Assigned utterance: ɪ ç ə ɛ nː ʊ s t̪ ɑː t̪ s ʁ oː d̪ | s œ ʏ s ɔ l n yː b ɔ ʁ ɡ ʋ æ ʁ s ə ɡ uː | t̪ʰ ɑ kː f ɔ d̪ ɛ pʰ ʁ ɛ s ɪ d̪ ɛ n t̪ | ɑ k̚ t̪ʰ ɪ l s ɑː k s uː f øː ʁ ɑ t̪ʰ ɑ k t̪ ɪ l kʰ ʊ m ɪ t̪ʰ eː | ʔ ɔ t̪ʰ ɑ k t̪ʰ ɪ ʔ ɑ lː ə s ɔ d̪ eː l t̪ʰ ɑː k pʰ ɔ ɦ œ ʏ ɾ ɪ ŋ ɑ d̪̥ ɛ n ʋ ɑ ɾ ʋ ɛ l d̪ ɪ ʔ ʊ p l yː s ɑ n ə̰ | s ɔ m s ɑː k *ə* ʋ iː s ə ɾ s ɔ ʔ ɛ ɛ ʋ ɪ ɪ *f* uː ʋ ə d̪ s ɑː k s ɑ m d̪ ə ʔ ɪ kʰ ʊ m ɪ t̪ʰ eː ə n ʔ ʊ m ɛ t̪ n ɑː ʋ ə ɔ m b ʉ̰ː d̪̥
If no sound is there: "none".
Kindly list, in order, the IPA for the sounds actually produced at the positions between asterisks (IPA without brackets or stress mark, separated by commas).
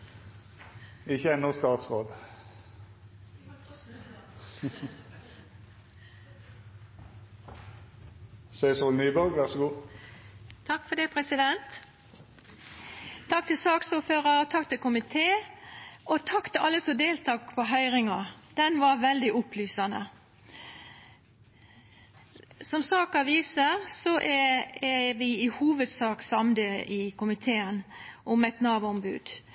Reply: ɑ, h